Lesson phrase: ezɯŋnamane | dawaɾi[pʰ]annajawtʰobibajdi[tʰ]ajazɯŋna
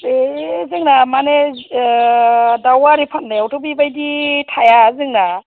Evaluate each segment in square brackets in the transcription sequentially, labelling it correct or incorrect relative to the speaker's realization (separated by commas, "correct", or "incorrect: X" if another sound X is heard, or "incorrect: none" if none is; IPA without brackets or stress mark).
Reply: correct, correct